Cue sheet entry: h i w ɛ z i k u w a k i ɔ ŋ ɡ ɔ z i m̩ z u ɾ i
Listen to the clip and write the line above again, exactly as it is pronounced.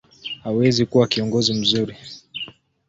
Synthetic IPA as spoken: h a w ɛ z i k u w a k i ɔ ŋ ɡ ɔ z i m̩ z u ɾ i